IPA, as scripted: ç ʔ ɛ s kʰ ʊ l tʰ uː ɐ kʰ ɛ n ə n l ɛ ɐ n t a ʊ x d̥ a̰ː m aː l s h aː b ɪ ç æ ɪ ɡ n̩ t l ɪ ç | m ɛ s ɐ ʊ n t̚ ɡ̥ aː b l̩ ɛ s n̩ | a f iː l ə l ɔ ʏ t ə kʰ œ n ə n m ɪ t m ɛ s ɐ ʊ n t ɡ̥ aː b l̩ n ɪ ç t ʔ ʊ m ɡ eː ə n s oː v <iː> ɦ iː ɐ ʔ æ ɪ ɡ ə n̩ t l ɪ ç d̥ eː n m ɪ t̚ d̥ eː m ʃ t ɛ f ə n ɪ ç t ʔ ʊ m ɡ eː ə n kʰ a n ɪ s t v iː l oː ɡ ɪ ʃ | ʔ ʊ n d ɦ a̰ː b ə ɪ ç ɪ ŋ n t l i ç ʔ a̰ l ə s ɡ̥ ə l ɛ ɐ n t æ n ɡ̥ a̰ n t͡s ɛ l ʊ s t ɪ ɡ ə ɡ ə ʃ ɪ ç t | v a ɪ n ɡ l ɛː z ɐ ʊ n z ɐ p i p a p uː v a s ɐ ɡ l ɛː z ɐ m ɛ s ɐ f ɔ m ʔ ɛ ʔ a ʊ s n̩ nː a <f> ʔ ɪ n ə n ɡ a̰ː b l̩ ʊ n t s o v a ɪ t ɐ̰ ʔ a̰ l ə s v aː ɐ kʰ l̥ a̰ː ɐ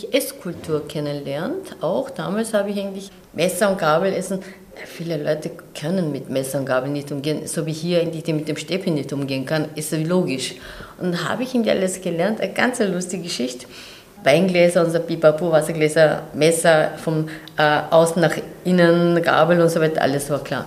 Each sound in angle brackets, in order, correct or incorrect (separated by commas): correct, incorrect